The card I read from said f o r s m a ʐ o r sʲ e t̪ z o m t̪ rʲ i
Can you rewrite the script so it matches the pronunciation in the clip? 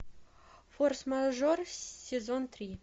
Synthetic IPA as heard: f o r s m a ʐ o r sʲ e z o n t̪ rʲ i